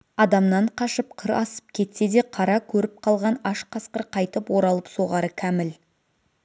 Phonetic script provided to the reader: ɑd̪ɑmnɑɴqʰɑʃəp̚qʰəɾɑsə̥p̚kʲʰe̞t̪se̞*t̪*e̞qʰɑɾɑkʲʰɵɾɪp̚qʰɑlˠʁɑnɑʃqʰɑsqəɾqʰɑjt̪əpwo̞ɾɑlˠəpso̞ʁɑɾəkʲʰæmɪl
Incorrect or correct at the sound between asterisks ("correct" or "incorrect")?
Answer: incorrect